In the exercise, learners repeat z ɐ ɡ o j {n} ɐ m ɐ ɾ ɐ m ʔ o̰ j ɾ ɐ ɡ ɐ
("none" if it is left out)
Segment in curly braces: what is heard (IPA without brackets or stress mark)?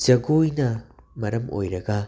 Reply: n